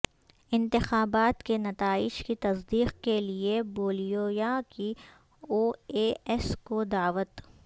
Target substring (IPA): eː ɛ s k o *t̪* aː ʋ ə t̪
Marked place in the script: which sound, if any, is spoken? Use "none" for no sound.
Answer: d̪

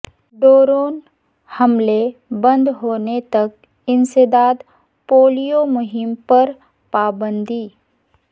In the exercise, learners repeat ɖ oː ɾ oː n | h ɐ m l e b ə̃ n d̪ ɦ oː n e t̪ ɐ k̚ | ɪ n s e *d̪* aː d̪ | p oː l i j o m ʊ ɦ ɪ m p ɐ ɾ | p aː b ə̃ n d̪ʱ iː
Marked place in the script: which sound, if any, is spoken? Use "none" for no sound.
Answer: d̪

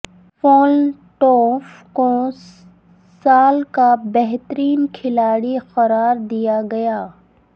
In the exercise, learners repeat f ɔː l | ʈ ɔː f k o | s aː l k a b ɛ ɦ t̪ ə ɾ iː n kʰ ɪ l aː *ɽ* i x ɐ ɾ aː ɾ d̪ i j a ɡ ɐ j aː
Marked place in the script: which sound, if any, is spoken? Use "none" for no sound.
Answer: ɽ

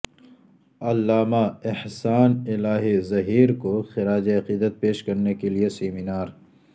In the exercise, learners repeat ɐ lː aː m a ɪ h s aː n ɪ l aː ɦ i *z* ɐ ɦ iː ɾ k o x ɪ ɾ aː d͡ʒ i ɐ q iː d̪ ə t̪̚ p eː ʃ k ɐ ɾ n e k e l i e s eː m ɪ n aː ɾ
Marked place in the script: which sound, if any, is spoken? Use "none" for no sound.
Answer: z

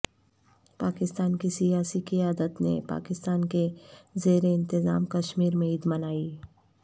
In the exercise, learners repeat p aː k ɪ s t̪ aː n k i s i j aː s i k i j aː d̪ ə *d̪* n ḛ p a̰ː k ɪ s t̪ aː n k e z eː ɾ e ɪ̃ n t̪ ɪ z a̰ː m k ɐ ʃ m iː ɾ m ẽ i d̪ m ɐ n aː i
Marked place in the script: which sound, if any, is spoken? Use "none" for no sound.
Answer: t̪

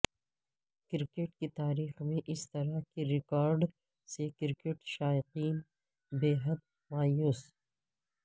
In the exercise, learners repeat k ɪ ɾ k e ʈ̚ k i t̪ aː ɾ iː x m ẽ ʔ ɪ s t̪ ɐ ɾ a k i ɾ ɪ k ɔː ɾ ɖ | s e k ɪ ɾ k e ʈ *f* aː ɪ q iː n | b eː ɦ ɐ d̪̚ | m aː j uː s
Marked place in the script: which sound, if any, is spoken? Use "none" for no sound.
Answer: ʃ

